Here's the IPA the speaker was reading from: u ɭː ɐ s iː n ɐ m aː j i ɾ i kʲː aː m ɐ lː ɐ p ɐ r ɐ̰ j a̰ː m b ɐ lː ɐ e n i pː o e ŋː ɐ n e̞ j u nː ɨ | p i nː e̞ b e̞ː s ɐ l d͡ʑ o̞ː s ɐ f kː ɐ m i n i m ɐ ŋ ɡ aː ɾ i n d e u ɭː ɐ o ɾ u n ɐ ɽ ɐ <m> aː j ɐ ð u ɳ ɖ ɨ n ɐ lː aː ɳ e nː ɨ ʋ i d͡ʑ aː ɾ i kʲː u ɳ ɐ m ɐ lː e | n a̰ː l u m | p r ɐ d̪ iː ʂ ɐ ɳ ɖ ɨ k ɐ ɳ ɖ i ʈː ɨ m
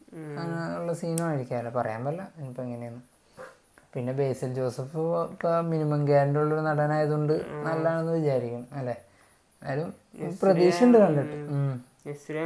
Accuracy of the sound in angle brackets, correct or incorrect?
incorrect